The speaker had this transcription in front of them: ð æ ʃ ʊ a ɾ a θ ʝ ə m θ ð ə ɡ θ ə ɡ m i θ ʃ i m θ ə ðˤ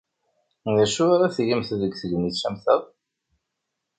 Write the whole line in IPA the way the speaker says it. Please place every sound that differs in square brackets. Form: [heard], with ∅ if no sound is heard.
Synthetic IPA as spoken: ð æ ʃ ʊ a ɾ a θ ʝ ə m θ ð ə ɡ θ ə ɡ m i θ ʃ [æ] m θ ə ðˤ